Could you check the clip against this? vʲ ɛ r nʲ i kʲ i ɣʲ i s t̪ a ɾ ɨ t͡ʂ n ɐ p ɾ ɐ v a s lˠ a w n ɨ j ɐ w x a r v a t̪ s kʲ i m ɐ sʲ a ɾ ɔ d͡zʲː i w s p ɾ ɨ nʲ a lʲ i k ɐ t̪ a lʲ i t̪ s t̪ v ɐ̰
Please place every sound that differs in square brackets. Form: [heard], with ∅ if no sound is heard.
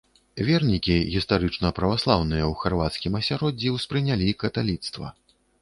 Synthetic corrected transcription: vʲ ɛ r nʲ i kʲ i ɣʲ i s t̪ a ɾ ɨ t͡ʂ n ɐ p ɾ ɐ v a s lˠ a w n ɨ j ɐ w x a r v a t̪ s kʲ i m ɐ sʲ a ɾ ɔ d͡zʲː i w s p ɾ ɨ nʲ a lʲ i k ɐ t̪ a lʲ i t̪ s t̪ v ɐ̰